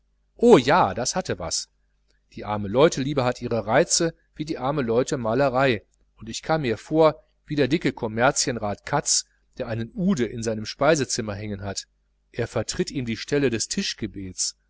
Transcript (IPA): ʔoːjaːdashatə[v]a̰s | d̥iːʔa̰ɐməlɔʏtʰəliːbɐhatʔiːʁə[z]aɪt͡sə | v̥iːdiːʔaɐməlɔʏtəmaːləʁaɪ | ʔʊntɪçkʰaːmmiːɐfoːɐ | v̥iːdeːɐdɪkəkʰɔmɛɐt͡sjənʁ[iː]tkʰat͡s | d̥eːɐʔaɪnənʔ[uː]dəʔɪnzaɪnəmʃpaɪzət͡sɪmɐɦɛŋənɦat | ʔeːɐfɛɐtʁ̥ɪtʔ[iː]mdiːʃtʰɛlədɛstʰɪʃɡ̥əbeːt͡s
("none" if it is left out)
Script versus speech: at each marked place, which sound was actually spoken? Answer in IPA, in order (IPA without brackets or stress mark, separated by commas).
v, ʁ, aː, uː, iː